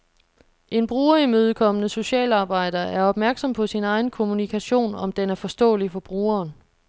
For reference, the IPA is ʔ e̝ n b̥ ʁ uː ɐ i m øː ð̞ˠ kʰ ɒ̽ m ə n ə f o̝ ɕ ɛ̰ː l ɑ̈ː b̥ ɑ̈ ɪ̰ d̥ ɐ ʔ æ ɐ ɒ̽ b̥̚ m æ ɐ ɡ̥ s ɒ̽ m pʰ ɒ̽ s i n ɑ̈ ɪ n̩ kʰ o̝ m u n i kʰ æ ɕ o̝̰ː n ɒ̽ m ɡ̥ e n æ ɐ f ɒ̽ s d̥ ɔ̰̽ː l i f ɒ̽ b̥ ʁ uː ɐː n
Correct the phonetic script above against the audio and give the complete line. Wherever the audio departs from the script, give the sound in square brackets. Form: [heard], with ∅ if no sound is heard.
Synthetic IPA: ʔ e̝ n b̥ ʁ uː ɐ i m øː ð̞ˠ kʰ ɒ̽ m ə n ə [s] o̝ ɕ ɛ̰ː l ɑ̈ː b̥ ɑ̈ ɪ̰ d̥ ɐ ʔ æ ɐ ɒ̽ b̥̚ m æ ɐ ɡ̥ s ɒ̽ m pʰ ɒ̽ s i n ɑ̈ ɪ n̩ kʰ o̝ m u n i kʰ æ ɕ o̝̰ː n ɒ̽ m [d̥] e n æ ɐ f ɒ̽ s d̥ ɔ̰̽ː l i f ɒ̽ b̥ ʁ uː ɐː n